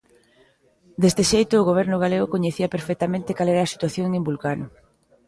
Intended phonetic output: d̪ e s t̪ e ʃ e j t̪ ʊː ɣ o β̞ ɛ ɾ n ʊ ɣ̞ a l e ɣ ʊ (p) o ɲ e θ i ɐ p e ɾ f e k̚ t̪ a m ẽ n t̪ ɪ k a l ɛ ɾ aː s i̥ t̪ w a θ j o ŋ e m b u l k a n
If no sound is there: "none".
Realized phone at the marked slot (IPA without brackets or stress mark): k